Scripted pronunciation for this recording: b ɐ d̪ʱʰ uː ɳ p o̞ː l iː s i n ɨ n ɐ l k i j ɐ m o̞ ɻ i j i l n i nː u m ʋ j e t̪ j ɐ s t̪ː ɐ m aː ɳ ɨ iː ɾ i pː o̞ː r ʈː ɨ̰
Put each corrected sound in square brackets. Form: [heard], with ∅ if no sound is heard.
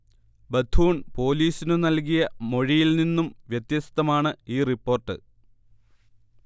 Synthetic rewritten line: b ɐ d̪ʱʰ uː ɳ p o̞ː l iː s i n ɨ n ɐ l k i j ɐ m o̞ ɻ i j i l n i nː u m ʋ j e t̪ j ɐ s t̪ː ɐ m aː ɳ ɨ iː [r] i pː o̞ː r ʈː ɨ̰